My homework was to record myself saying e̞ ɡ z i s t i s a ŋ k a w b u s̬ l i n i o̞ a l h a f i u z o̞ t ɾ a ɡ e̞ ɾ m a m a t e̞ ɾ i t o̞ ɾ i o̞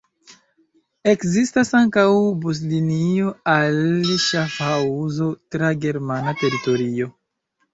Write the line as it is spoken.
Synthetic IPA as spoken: e̞ k z i s t a s a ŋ k a w b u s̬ l i n i o̞ a l ʃ a f a u z o̞ t ɾ a ɡ e̞ ɾ m a n a t e̞ ɾ i t o̞ ɾ i o̞

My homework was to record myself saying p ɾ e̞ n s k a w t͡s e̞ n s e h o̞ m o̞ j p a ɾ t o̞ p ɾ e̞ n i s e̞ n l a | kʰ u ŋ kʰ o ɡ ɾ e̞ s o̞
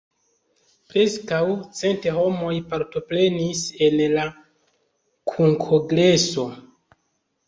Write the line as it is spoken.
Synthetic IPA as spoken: p ɾ e̞ s k a w t͡s e̞ n t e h o̞ m o̞ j p a ɾ t o̞ p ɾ e̞ n i s e̞ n l a | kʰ u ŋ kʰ o ɡ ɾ e̞ s o̞

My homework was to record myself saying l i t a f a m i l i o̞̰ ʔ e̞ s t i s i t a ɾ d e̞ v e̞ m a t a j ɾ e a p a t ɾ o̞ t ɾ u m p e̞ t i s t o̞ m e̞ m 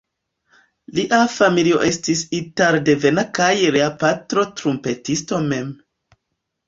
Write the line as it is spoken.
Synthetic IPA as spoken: l i ʔ a f a m i l i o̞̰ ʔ e̞ s t i s i t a ɾ d e̞ v e̞ n a k a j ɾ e a p a t ɾ o̞ t ɾ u m p e̞ t i s t o̞ m e̞ m

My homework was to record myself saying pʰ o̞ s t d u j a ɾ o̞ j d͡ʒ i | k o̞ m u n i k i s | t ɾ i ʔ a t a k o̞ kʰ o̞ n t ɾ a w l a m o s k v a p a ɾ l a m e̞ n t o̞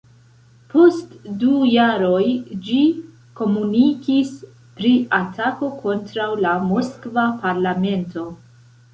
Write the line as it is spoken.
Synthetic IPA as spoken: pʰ o̞ s t d u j a ɾ o̞ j d͡ʒ i | k o̞ m u n i k i s | p ɾ i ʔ a t a k o̞ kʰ o̞ n t ɾ a w l a m o s k v a p a ɾ l a m e̞ n t o̞

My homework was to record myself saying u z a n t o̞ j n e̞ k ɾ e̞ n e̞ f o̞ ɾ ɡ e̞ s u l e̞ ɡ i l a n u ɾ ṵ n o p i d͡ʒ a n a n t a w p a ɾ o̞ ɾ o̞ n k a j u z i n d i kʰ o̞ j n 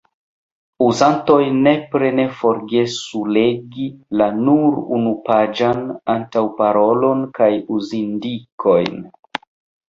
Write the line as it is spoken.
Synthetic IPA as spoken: u z a n t o̞ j n e̞ p ɾ e̞ n e̞ f o̞ ɾ ɡ e̞ s u l e̞ ɡ i l a n u ɾ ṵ n u p a d͡ʒ a n a n t a w p a ɾ o̞ l o̞ n k a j u z i n d i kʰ o̞ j n

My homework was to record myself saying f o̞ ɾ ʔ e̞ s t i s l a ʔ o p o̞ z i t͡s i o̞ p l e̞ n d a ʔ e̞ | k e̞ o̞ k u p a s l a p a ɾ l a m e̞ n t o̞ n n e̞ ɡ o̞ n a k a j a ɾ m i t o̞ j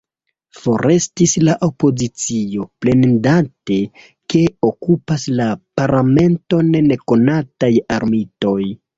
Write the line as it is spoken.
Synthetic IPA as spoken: f o̞ ɾ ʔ e̞ s t i s l a ʔ o p o̞ z i t͡s i o̞ p l e̞ n d a t e̞ | k e̞ o̞ k u p a s l a p a ɾ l a m e̞ n t o̞ n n e̞ k o̞ n a t a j a ɾ m i t o̞ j

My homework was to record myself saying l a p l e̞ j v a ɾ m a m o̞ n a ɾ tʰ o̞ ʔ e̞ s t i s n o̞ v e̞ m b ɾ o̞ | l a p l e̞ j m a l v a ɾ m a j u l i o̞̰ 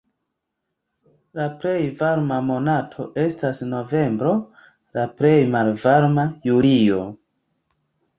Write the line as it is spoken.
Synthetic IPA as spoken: l a p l e̞ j v a ɾ m a m o̞ n a tʰ o̞ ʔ e̞ s t a s n o̞ v e̞ m b ɾ o̞ | l a p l e̞ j m a l v a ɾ m a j u l i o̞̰

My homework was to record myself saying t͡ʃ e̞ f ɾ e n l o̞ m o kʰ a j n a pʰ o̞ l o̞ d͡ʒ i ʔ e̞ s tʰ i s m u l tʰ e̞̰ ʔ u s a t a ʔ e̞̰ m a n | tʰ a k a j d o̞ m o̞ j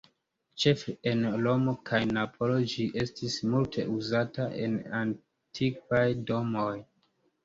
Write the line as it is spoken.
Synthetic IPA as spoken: t͡ʃ e̞ f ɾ e n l o̞ m o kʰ a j n a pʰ o̞ l o̞ d͡ʒ i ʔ e̞ s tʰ i s m u l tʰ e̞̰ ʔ u z a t a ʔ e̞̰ n a n | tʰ i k a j d o̞ m o̞ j

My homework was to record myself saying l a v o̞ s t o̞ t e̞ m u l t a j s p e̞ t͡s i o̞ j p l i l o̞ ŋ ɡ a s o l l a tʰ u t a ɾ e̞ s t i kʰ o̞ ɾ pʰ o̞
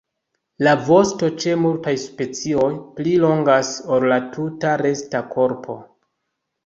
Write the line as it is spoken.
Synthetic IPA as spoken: l a v o̞ s t o̞ t͡ʃ e̞ m u l t a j s p e̞ t͡s i o̞ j p l i l o̞ ŋ ɡ a s o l l a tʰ u t a ɾ e̞ s t a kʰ o̞ ɾ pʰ o̞

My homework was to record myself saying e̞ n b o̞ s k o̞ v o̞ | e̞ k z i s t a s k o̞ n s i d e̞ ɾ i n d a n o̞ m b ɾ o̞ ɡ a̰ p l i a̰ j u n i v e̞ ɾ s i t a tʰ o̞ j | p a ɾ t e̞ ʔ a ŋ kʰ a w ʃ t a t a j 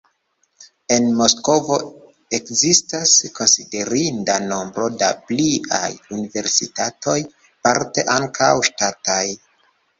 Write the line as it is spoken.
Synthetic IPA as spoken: e̞ n m o̞ s k o̞ v o̞ | e̞ k z i s t a s k o̞ n s i d e̞ ɾ i n d a n o̞ m b ɾ o̞ d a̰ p l i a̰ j u n i v e̞ ɾ s i t a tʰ o̞ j | p a ɾ t e̞ ʔ a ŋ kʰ a w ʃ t a t a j

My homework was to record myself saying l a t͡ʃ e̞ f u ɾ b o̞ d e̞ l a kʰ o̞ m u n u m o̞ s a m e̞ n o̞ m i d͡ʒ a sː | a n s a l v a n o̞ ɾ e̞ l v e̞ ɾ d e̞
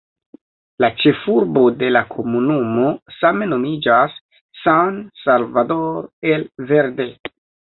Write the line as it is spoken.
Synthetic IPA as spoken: l a t͡ʃ e̞ f u ɾ b o̞ d e̞ l a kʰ o̞ m u n u m o̞ s a m e̞ n o̞ m i d͡ʒ a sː | a n s a l v a d o̞ ɾ e̞ l v e̞ ɾ d e̞

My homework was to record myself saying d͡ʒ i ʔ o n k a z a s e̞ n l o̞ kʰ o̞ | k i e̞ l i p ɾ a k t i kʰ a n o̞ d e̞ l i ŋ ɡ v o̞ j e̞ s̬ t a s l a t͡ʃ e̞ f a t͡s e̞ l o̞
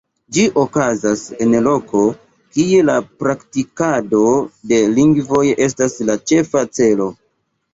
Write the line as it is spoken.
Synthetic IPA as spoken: d͡ʒ i ʔ o k a z a s e̞ n l o̞ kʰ o̞ | k i e̞ l a p ɾ a k t i k a d o̞ d e̞ l i ŋ ɡ v o̞ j e̞ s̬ t a s l a t͡ʃ e̞ f a t͡s e̞ l o̞

